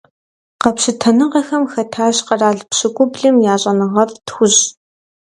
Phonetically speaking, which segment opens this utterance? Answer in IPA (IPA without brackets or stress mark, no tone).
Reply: q